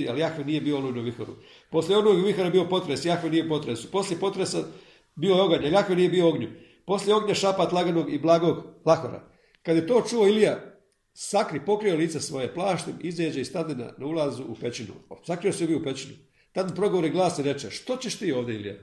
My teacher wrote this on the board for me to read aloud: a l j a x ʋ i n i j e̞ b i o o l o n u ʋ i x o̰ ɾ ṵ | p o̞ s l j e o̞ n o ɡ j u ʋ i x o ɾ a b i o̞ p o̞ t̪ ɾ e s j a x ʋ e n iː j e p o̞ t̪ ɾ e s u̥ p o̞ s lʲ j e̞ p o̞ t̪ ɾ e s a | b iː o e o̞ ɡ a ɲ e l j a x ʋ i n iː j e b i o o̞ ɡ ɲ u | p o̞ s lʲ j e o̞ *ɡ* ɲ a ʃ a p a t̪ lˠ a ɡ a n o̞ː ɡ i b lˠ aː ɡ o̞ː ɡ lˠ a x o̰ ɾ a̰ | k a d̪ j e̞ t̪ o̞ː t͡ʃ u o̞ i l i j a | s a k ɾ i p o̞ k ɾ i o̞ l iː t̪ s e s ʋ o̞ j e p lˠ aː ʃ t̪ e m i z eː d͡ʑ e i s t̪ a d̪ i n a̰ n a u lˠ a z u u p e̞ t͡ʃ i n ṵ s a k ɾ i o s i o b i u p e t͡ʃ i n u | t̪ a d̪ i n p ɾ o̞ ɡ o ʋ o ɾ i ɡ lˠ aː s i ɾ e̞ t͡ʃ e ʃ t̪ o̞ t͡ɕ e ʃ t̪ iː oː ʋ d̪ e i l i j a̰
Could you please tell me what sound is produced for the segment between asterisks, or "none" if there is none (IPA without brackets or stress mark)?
ɡ